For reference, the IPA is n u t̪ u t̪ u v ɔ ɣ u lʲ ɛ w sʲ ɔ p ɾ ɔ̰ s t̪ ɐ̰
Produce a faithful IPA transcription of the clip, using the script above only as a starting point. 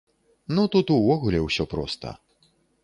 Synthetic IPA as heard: n u t̪ u t̪ u v ɔ ɣ u lʲ ɛ w sʲ ɔ p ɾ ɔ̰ s t̪ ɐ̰